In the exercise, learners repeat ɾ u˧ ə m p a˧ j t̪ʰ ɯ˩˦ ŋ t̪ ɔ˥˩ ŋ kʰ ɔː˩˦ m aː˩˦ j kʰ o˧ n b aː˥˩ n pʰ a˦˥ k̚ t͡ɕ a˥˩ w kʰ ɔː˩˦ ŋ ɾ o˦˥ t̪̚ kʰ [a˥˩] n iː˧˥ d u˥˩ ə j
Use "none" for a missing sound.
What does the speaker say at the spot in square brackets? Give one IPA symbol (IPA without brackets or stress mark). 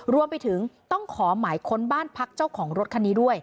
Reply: a˧